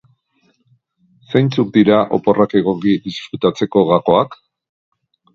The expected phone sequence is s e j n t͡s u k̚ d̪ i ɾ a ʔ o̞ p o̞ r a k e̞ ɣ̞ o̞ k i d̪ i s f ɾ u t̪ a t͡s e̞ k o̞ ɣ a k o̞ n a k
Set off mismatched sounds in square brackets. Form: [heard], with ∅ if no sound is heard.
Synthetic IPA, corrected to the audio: s e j n t͡s u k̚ d̪ i ɾ a ʔ o̞ p o̞ r a k e̞ ɣ̞ o̞ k i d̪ i s f ɾ u t̪ a t͡s e̞ k o̞ ɣ a k o̞ [∅] a k